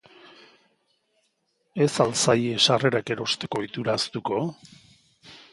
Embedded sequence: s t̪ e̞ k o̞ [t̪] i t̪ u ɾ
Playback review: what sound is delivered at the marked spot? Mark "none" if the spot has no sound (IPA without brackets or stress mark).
none